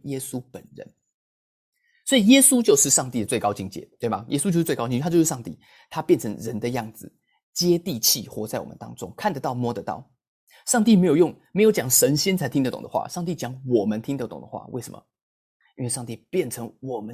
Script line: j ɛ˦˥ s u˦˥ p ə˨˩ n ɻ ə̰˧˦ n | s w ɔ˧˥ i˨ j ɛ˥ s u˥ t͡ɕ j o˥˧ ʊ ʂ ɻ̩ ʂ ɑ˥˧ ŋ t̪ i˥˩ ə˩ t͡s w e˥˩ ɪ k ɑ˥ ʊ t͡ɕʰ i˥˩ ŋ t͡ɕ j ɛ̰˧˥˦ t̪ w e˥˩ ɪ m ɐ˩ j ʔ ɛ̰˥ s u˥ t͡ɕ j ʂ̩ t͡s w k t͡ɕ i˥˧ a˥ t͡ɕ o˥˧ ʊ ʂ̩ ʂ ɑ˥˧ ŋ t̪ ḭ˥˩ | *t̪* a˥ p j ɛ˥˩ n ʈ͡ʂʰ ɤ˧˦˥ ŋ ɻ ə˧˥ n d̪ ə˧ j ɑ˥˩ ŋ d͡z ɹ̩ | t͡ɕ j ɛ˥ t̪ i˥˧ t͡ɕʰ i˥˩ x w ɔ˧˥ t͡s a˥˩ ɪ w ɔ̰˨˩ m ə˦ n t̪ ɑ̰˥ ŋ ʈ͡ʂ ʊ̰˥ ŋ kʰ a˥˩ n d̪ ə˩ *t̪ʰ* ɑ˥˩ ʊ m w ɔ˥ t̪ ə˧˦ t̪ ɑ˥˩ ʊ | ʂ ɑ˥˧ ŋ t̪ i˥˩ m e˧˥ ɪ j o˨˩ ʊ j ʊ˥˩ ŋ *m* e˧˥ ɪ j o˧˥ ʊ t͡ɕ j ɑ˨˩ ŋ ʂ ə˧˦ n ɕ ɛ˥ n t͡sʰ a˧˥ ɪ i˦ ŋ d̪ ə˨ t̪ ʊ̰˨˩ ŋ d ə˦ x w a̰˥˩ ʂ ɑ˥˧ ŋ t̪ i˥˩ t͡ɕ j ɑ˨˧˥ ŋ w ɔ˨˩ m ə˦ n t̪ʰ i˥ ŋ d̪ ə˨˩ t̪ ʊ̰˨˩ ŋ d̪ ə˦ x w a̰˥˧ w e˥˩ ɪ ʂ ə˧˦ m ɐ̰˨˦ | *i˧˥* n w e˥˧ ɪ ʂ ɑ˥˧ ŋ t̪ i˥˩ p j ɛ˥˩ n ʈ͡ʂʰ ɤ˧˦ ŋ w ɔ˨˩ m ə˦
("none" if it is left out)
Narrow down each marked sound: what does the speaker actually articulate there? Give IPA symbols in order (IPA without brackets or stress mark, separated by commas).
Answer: t̪ʰ, t̪, m, i˥